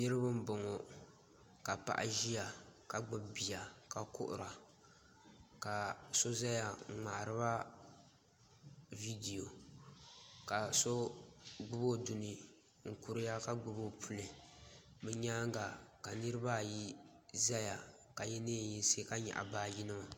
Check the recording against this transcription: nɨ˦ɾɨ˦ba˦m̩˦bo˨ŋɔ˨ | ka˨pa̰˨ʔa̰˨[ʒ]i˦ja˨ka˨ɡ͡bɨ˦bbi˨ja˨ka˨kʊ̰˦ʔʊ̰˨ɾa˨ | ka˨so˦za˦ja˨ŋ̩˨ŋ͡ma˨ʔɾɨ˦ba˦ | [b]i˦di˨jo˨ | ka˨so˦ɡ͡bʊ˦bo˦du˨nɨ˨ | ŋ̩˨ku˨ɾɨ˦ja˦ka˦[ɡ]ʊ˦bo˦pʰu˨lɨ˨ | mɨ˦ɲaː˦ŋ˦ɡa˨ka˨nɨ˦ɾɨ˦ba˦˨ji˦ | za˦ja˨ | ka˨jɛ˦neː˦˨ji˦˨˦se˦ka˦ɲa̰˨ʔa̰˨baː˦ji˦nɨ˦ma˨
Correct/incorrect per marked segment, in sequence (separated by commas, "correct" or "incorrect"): correct, incorrect, incorrect